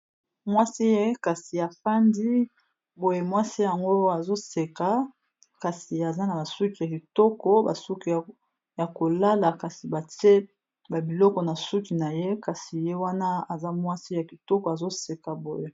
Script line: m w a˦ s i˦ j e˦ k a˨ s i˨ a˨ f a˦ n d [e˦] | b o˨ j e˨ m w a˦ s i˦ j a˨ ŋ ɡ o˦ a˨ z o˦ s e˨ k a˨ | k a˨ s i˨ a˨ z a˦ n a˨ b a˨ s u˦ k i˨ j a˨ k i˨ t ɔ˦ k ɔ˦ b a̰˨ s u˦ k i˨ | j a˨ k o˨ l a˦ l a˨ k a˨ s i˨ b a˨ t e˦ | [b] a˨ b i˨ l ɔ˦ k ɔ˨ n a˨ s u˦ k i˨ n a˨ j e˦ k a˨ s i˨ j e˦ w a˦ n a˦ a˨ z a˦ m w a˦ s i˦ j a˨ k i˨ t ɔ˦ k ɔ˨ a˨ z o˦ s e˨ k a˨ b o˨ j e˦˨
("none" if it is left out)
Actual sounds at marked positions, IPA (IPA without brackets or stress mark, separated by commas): i˦, b